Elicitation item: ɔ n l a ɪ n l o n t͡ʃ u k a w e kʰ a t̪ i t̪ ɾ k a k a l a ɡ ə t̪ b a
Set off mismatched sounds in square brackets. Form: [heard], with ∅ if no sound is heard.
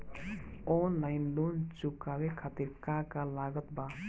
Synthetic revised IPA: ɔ n l a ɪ n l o n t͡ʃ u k a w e kʰ a t̪ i [∅] ɾ k a k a l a ɡ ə t̪ b a